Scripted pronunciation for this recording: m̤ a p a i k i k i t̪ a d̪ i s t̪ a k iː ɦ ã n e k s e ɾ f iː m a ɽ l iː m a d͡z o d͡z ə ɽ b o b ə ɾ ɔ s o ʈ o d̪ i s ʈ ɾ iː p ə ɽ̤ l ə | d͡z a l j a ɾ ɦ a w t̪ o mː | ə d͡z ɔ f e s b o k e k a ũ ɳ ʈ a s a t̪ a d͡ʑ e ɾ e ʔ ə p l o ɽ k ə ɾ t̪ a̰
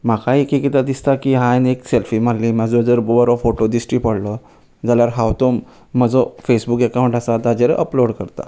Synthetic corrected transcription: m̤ a k a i k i k i t̪ a d̪ i s t̪ a k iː ɦ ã n e k s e l f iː m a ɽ l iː m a d͡z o d͡z ə ɾ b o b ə ɾ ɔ f o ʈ o d̪ i s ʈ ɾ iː p ə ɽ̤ l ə | d͡z a l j a ɾ ɦ a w t̪ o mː | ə d͡z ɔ f e s b u k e k a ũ ɳ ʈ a s a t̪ a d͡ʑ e ɾ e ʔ ə p l o ɽ k ə ɾ t̪ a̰